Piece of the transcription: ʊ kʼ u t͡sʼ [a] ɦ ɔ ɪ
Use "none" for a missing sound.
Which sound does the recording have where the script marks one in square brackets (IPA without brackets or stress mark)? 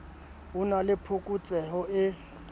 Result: ɛ